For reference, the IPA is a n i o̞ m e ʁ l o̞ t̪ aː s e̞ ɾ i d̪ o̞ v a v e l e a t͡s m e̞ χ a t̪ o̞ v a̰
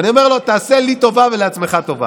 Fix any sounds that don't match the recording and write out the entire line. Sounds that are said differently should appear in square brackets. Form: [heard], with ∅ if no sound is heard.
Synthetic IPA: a n i o̞ m e ʁ l o̞ t̪ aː s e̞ [l] i [t̪] o̞ v a v e l e a t͡s m e̞ χ a t̪ o̞ v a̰